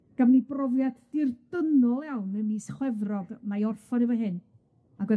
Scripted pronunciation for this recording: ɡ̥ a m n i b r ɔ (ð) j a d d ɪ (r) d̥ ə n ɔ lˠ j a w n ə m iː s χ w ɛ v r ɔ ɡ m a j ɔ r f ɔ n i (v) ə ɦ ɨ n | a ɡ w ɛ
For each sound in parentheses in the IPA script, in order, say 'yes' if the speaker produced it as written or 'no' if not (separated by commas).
no, yes, yes